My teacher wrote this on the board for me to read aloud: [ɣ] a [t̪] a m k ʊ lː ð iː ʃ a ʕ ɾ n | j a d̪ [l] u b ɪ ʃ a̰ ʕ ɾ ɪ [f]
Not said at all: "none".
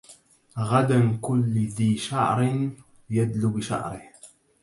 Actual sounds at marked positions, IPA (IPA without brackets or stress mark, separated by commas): ɣ, d̪, l, h